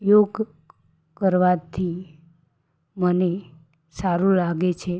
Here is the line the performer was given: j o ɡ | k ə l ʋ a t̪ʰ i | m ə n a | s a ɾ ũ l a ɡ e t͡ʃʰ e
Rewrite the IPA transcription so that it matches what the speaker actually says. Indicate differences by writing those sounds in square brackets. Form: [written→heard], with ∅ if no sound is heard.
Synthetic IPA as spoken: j o ɡ | k ə [l→ɾ] ʋ a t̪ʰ i | m ə n [a→e] | s a ɾ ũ l a ɡ e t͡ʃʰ e